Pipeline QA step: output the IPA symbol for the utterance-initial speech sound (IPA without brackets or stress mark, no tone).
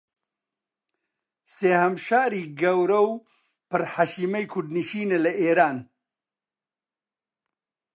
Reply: s